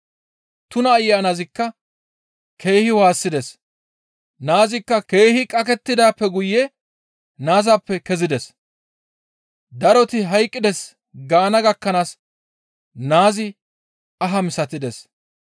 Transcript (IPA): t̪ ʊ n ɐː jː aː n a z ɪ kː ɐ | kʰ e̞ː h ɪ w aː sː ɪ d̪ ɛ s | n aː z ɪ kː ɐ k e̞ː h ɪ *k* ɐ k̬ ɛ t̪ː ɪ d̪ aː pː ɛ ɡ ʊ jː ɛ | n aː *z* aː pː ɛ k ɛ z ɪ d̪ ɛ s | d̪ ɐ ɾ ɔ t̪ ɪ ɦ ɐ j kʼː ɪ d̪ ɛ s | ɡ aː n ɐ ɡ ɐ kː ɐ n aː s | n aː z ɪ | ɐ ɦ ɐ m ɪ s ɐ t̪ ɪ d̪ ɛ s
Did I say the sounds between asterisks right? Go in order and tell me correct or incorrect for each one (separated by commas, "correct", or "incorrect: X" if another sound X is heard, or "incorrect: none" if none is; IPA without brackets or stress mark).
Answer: incorrect: kʼ, correct